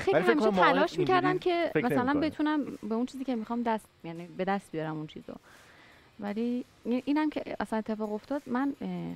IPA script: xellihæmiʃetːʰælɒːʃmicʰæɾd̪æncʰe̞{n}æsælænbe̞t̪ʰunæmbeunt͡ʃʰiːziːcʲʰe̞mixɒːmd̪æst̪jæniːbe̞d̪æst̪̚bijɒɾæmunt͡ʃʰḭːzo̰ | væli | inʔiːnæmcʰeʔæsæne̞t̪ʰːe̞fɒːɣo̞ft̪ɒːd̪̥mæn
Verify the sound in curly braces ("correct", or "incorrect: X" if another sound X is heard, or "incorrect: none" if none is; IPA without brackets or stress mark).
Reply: incorrect: m